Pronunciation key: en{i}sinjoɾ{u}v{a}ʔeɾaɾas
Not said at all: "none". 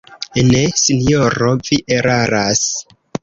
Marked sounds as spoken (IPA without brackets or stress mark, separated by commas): e, o, i